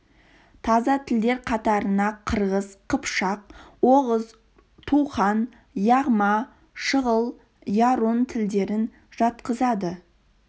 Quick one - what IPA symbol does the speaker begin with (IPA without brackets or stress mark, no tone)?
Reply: t̪ʰ